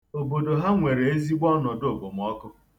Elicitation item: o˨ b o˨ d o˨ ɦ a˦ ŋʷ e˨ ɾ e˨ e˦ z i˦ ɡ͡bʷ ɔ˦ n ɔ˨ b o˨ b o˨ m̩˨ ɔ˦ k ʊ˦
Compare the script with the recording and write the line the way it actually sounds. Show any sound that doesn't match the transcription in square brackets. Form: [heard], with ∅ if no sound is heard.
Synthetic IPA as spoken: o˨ b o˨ d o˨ ɦ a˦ ŋʷ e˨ ɾ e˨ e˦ z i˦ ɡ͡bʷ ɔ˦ n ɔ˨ [d] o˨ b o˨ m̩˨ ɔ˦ k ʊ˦